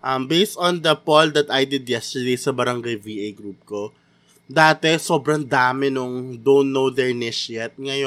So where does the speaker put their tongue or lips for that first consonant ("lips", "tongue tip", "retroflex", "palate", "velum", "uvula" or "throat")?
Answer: throat